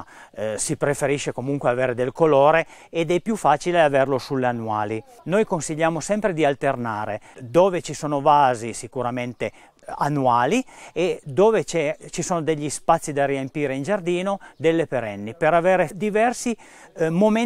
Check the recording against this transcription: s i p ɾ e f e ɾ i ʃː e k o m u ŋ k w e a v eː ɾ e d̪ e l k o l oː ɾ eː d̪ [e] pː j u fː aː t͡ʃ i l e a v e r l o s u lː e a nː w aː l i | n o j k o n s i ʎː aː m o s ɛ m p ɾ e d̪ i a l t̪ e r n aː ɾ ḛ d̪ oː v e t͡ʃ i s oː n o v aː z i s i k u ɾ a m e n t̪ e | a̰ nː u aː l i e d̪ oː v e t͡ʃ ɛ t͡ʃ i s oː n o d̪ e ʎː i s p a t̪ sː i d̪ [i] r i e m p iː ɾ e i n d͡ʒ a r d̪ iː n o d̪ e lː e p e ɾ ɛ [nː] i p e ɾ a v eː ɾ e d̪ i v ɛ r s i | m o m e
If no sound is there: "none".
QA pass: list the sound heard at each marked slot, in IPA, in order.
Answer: ɛ, a, nː

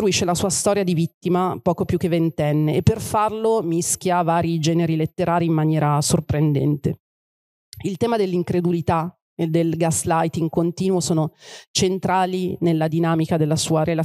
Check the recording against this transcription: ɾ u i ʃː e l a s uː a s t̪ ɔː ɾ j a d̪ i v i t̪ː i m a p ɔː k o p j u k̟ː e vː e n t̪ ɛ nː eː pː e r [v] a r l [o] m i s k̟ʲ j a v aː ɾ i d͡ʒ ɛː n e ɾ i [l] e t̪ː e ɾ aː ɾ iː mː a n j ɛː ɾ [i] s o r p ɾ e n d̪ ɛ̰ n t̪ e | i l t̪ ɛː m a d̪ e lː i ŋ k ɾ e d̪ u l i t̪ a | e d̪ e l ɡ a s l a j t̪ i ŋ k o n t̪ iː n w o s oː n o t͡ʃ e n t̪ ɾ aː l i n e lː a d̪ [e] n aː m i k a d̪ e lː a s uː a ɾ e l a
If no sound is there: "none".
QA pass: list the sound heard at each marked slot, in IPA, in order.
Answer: f, o, l, a, i

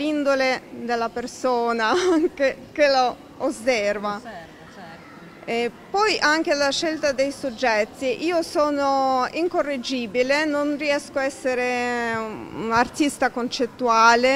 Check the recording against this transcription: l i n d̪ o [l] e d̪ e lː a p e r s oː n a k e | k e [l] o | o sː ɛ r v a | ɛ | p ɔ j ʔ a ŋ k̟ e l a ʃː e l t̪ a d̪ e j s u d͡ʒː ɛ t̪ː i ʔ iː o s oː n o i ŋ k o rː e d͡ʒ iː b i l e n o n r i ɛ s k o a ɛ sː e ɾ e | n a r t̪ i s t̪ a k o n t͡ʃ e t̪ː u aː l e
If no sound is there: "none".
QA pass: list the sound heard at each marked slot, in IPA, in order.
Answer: l, l

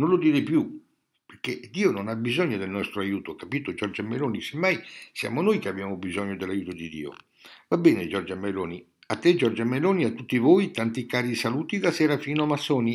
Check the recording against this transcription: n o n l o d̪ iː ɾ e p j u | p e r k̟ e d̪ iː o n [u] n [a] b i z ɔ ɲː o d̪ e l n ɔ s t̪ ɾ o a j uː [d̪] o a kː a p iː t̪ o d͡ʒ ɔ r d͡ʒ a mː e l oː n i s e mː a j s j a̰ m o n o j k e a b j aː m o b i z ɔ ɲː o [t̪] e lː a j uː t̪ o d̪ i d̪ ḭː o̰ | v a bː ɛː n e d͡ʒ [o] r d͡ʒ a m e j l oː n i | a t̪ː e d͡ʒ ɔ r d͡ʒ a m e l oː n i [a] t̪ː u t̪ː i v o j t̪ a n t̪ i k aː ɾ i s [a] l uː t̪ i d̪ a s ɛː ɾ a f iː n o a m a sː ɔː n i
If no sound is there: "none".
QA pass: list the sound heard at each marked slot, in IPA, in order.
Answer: o, a, t̪, d̪, ɔ, a, a

